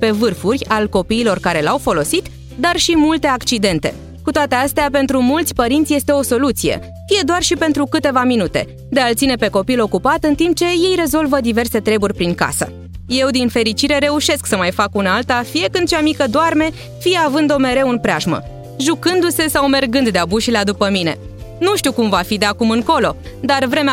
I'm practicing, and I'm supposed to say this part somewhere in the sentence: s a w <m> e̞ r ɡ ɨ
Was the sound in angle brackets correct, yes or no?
yes